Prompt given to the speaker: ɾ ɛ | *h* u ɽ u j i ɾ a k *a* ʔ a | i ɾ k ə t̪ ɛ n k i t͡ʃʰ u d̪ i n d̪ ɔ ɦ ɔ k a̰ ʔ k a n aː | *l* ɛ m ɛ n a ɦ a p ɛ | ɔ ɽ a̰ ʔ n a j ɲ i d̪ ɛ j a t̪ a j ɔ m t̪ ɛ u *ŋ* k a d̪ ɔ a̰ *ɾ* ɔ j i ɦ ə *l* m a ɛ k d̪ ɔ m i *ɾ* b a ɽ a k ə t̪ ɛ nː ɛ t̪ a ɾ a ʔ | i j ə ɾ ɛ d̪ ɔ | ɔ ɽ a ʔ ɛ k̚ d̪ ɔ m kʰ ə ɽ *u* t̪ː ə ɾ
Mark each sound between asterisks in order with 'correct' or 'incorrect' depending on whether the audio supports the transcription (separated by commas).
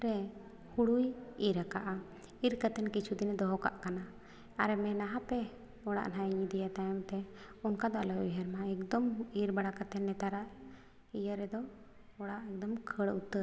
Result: correct, correct, incorrect, incorrect, incorrect, incorrect, correct, correct